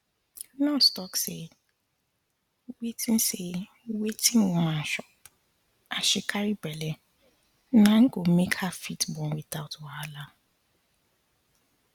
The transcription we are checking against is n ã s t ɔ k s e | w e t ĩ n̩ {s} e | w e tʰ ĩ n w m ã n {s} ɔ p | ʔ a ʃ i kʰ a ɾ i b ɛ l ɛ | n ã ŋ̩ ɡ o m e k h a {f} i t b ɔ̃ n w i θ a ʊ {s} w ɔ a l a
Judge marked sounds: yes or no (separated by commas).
yes, no, yes, no